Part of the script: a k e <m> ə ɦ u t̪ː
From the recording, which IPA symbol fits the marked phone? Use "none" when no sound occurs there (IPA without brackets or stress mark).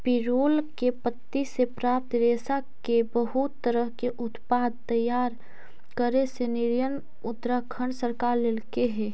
b